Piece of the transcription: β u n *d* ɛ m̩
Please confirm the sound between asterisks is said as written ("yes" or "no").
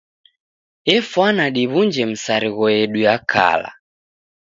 no